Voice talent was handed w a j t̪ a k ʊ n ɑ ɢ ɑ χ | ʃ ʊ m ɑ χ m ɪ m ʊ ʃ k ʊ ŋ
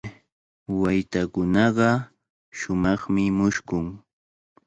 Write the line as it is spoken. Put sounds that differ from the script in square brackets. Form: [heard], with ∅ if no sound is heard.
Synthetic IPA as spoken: w a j t̪ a k ʊ n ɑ ɢ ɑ [∅] | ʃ ʊ m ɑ χ m ɪ m ʊ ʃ k ʊ ŋ